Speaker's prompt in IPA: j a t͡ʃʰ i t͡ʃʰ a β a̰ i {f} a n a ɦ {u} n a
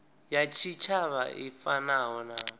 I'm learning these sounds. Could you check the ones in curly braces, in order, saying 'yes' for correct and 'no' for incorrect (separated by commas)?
yes, no